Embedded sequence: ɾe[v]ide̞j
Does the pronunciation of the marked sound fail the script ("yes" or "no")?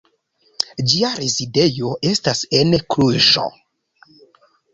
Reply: yes